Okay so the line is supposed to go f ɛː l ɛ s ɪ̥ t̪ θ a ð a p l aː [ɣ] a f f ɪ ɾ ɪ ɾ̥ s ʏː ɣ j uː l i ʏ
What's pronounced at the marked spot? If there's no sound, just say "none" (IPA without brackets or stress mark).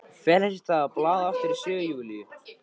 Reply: ð